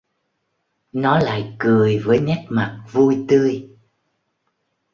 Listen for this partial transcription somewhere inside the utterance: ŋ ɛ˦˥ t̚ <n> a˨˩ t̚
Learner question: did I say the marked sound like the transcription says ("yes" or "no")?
no